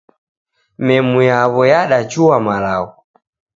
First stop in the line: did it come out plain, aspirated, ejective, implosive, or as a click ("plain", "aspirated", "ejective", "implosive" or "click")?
implosive